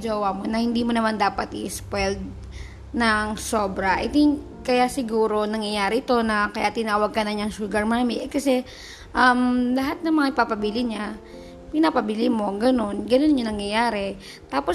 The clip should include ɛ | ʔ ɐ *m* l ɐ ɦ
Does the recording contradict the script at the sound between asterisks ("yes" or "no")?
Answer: no